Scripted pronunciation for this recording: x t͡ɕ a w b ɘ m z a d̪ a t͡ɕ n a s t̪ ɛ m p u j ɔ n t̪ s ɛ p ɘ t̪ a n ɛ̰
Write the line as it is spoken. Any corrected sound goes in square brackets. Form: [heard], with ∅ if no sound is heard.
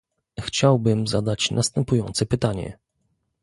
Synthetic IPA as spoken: x t͡ɕ a w b ɘ m z a d̪ a t͡ɕ n a s t̪ ɛ m p u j ɔ n t̪ s ɛ p ɘ t̪ a [ɲ] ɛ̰